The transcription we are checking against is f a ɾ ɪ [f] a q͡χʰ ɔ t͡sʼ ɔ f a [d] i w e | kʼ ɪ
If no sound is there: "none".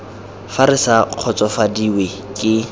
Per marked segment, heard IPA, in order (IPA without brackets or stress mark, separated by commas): s, d